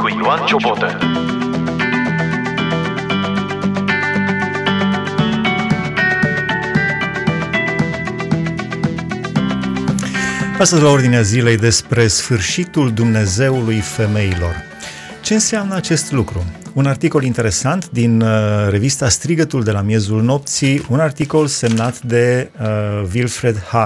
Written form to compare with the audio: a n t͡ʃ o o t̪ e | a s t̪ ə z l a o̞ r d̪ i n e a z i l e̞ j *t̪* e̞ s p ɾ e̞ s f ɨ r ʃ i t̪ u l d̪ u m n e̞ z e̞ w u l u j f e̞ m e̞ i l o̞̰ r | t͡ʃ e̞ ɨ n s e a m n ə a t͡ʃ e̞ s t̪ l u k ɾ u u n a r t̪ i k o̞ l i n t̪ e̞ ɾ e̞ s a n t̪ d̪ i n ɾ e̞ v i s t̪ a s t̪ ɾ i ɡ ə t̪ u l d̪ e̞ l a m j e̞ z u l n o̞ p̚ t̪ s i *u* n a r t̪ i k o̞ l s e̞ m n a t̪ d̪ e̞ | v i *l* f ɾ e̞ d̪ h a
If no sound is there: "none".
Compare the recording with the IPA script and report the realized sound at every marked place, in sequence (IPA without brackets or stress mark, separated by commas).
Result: d̪, u, l